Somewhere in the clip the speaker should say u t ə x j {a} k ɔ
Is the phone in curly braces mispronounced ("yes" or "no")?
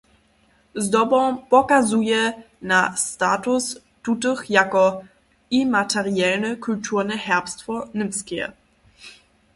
no